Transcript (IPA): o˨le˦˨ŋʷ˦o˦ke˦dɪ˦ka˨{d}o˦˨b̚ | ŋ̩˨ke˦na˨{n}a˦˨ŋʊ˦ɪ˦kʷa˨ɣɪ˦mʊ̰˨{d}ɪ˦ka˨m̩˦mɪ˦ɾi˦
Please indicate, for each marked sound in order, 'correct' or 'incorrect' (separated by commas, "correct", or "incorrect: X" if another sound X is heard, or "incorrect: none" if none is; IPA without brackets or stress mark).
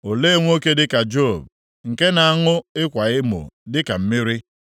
incorrect: d͡ʒ, incorrect: none, correct